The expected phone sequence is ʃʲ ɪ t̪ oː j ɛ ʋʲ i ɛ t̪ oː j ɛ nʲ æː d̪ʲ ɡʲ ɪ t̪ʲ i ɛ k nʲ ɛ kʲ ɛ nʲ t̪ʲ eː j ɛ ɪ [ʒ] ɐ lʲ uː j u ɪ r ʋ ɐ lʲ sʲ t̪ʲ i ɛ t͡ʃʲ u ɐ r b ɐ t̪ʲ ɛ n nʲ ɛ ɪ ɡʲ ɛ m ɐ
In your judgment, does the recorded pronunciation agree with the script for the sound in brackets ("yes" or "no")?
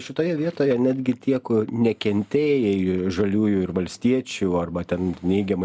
yes